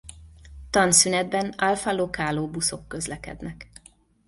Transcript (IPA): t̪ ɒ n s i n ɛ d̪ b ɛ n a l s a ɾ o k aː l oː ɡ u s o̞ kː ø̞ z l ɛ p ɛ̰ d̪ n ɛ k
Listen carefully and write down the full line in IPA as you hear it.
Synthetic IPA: t̪ ɒ n s y n ɛ d̪ b ɛ n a l f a l o k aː l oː b u s o̞ kː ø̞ z l ɛ k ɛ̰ d̪ n ɛ k